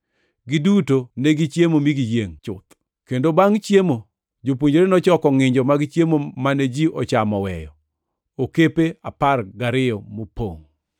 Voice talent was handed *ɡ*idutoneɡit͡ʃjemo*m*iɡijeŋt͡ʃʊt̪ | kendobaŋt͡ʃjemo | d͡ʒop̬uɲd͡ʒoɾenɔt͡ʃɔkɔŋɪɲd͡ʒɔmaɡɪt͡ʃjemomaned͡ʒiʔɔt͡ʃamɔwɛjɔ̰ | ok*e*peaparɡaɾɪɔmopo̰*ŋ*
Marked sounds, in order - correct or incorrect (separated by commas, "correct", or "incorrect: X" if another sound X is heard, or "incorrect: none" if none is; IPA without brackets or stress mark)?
correct, correct, correct, correct